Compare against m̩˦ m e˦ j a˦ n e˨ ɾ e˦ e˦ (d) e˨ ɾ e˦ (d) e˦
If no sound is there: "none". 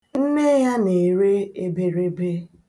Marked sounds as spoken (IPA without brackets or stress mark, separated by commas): b, b